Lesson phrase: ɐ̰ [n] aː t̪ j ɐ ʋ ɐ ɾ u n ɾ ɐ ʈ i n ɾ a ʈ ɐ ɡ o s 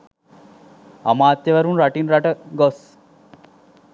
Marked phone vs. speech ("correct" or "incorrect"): incorrect